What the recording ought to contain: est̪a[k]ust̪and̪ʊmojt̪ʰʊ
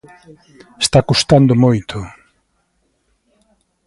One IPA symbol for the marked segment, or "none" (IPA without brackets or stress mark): k